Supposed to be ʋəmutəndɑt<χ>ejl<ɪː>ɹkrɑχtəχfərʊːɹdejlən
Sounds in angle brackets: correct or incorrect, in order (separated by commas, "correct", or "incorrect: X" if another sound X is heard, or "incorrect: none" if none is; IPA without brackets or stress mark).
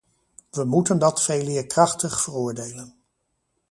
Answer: incorrect: f, correct